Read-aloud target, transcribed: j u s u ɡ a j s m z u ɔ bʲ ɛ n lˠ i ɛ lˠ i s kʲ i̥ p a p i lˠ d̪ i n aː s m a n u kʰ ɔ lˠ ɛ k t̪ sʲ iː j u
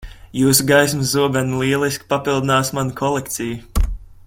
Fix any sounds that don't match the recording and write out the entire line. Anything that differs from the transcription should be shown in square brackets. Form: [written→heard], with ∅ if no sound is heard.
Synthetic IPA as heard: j [u→uː] s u ɡ a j s m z u ɔ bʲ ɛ n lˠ i ɛ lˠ i s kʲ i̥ p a p i lˠ d̪ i n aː s m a n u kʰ ɔ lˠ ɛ k t̪ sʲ [iː→i] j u